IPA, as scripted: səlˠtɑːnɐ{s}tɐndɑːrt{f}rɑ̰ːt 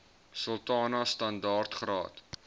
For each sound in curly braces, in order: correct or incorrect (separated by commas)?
correct, incorrect